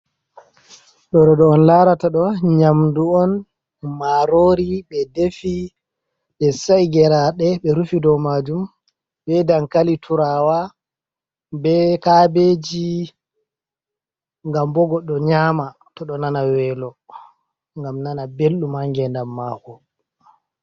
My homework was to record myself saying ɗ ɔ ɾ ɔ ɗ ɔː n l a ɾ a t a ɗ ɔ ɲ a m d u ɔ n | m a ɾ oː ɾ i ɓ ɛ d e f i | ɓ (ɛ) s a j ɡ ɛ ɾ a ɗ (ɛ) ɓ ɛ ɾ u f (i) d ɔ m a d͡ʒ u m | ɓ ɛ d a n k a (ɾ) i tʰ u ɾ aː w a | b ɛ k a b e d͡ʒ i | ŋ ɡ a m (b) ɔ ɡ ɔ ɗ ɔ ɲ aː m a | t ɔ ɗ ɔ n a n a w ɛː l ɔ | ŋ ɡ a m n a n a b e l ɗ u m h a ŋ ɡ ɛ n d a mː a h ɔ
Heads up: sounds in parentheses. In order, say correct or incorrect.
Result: correct, correct, correct, incorrect: l, correct

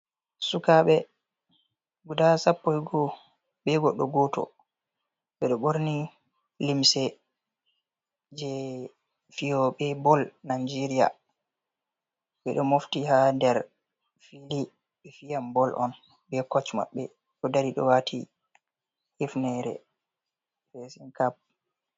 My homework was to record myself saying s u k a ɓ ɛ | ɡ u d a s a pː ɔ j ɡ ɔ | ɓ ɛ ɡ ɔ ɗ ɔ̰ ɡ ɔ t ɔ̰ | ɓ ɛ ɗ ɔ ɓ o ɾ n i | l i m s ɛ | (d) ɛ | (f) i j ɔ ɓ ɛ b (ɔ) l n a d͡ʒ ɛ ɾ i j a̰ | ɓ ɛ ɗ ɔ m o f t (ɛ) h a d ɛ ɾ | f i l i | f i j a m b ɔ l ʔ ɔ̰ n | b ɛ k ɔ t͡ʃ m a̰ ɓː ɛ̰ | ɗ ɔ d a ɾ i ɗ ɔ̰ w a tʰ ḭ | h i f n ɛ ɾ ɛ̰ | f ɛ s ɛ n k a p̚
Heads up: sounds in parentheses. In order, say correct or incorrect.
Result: incorrect: d͡ʒ, correct, correct, incorrect: i

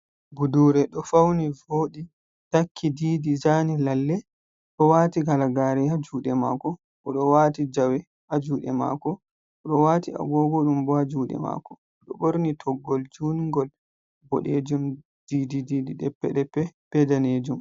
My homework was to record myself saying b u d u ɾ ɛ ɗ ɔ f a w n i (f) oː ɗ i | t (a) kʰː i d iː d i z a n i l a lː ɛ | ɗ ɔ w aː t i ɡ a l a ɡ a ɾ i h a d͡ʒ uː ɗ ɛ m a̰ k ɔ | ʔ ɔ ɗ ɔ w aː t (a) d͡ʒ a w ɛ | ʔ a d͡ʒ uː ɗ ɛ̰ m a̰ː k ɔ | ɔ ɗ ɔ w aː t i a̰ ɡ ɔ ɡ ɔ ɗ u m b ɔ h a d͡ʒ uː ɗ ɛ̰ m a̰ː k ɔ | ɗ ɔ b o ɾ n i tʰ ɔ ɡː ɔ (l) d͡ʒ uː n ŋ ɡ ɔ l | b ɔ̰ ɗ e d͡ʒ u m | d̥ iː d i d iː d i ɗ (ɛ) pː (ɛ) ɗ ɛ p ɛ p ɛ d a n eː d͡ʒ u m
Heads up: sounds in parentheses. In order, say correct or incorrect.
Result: incorrect: v, correct, incorrect: i, correct, correct, correct

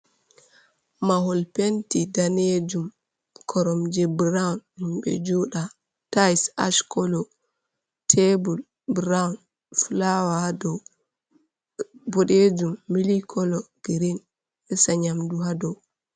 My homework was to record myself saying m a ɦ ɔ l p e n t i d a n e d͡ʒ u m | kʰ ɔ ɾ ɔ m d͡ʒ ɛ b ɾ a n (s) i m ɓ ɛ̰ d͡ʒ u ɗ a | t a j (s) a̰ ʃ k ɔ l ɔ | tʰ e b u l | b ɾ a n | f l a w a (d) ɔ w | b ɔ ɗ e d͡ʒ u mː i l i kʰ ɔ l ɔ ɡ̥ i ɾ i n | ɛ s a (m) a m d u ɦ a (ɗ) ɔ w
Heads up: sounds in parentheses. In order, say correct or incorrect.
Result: incorrect: h, correct, correct, incorrect: ɲ, incorrect: d

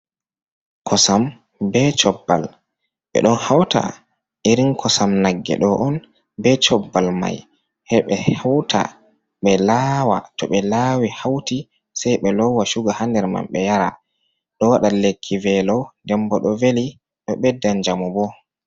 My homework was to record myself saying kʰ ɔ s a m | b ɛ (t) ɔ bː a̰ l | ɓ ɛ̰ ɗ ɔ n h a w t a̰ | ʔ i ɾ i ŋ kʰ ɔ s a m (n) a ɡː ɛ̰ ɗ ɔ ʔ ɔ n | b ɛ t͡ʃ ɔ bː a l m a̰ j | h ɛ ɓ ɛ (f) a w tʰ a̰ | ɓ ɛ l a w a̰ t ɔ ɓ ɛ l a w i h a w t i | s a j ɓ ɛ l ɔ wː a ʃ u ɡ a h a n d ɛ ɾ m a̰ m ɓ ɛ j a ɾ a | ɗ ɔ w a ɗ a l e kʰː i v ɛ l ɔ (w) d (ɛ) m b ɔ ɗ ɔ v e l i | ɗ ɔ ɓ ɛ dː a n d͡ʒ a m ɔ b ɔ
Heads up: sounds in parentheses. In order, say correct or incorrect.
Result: incorrect: t͡ʃ, correct, incorrect: h, correct, correct

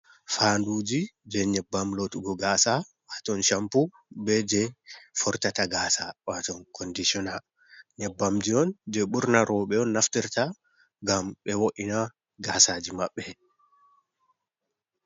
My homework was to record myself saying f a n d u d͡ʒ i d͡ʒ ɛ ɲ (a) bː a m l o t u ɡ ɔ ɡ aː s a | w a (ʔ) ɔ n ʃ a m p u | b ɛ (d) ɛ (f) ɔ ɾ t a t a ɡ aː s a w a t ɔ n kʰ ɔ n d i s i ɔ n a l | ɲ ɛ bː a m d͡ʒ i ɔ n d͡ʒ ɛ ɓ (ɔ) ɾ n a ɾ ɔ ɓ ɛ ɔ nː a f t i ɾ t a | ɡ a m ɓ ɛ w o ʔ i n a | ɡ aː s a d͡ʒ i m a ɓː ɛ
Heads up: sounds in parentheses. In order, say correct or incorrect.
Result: incorrect: ɛ, incorrect: t, incorrect: d͡ʒ, correct, incorrect: u

